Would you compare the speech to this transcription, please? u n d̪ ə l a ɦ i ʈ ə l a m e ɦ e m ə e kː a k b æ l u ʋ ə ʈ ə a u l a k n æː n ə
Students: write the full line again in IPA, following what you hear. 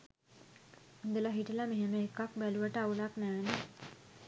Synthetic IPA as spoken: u n d̪ ə l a ɦ i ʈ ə l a m e ɦ e m ə e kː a k b æ l u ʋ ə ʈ ə a u l a k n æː n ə

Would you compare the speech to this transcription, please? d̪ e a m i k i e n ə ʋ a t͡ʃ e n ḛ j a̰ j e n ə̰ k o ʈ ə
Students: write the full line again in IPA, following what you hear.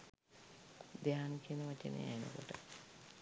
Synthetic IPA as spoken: d̪ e a n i k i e n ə ʋ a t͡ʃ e n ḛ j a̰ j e n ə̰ k o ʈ ə

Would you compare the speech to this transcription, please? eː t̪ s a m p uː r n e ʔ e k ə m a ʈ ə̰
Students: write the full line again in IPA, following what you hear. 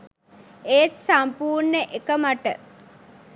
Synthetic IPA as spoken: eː t̪ s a m p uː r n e ʔ e k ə m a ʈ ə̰

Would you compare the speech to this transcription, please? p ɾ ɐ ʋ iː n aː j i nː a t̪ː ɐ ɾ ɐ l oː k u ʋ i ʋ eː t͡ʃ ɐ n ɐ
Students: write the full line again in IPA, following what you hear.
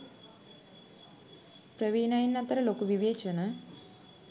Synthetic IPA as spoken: p ɾ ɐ ʋ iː n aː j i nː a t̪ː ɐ ɾ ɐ l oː k u ʋ i ʋ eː t͡ʃ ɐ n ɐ

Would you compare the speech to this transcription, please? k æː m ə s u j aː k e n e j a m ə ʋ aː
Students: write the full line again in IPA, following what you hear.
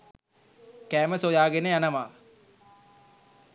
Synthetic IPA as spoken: k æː m ə s o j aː ɡ e n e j a n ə ʋ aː

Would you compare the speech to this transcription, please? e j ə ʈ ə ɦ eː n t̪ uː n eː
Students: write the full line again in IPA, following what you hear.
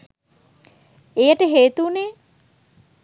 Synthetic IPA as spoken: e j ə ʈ ə ɦ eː t̪ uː n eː

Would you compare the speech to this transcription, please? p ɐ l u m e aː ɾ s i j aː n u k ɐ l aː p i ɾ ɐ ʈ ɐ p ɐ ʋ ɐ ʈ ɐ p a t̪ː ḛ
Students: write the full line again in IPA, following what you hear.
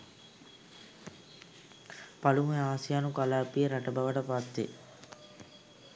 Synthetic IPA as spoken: p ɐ l u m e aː s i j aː n u k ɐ l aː p i ɾ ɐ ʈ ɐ b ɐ ʋ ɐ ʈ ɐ p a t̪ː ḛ

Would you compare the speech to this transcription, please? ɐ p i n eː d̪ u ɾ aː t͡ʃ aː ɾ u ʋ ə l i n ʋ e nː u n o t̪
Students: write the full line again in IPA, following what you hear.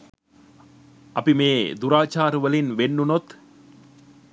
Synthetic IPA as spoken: ɐ p i m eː d̪ u ɾ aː t͡ʃ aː ɾ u ʋ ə l i n ʋ e nː u n o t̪

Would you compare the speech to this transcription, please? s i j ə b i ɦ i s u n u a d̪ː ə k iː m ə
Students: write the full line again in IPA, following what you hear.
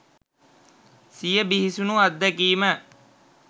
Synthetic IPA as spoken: s i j ə b i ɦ i s u n u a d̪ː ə k iː m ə

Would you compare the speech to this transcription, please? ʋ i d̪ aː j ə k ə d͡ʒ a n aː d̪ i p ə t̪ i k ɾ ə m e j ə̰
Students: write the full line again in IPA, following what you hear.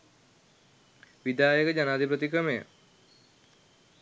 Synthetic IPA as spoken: ʋ i d̪ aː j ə k ə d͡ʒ a n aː d̪ i p ə t̪ i k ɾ ə m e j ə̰

